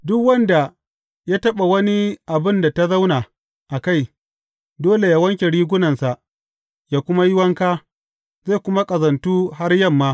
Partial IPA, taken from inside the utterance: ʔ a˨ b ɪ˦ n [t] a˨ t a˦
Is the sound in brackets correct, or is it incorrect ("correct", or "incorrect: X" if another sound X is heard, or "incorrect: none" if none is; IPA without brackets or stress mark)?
incorrect: d